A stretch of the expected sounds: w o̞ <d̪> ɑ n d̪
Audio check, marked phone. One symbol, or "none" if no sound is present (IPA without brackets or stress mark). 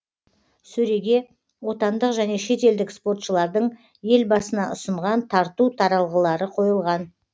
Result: t̪